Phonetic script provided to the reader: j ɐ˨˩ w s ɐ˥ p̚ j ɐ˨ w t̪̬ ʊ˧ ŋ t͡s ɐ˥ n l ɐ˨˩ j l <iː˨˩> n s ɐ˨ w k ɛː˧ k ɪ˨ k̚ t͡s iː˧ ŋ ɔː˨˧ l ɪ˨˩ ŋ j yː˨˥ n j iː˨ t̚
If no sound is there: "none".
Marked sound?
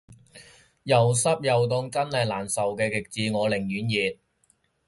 aː˨˩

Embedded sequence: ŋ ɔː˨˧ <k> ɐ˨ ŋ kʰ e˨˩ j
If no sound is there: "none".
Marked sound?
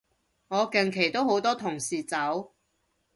k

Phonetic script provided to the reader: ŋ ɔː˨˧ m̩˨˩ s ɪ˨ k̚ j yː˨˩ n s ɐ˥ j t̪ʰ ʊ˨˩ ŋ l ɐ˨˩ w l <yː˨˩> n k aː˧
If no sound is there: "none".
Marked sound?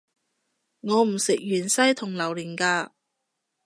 iː˨˩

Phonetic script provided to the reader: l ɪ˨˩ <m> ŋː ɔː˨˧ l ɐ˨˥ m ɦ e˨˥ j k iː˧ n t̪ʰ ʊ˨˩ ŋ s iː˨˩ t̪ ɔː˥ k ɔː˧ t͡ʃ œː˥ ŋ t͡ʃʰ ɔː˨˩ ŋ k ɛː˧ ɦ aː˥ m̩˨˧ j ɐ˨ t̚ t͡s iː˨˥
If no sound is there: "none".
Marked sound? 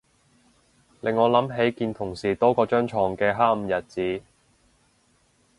none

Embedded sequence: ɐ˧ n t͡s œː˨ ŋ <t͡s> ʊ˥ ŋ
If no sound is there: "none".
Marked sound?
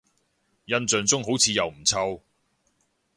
t͡s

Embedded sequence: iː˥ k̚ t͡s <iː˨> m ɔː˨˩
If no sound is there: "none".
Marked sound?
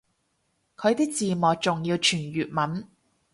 iː˨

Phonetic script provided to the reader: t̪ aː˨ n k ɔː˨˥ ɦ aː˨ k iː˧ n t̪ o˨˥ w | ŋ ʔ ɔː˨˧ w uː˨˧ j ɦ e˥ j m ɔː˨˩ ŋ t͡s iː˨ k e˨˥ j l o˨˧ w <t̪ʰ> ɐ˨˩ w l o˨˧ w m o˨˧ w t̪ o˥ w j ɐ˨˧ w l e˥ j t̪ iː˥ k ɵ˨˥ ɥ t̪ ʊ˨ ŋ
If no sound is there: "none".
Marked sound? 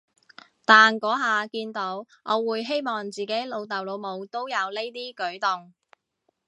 t̪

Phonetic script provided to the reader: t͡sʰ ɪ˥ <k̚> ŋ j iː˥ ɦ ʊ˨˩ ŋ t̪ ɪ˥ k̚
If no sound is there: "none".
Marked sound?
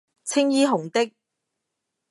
none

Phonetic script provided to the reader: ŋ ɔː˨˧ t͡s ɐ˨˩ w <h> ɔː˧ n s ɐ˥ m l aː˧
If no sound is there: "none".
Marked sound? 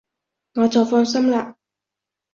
f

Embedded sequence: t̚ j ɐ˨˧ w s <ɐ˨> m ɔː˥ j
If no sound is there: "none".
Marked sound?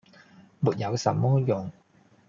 ɐ˨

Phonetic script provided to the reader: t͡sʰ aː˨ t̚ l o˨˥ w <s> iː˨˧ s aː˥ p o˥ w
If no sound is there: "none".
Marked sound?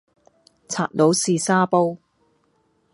s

